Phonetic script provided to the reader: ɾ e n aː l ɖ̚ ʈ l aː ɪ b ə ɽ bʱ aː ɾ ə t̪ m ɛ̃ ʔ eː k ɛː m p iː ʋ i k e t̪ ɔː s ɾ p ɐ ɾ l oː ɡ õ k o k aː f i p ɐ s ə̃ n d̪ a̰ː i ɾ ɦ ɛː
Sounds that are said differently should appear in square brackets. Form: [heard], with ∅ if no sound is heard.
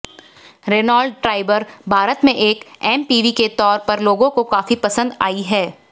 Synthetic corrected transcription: ɾ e n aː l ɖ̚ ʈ [ɾ] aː ɪ b ə [ɾ] bʱ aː ɾ ə t̪ m [ẽ] ʔ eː k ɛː m p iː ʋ i k e t̪ ɔː [∅] ɾ p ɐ ɾ l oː ɡ õ k o k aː f i p ɐ s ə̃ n d̪ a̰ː i [∅] ɦ ɛː